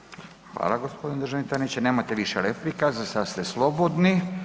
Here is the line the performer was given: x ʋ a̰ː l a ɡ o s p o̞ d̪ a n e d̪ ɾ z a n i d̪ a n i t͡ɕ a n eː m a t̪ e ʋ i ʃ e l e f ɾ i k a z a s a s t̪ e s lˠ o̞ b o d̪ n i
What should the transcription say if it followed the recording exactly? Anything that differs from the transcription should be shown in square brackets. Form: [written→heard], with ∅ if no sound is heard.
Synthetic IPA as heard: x ʋ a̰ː l a ɡ o s p o̞ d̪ [a→i] n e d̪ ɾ [z→ʒ] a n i [d̪→t̪] a n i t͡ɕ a n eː m a t̪ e ʋ i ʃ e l e f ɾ i k a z a s a s t̪ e s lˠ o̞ b o d̪ n i